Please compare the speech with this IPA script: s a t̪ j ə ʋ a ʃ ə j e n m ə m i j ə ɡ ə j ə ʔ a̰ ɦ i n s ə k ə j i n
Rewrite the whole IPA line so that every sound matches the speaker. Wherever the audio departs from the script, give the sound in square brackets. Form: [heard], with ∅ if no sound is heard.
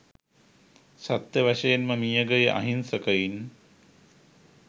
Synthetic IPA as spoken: s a t̪ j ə ʋ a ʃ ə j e n m ə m i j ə ɡ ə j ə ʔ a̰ ɦ i n s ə k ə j i n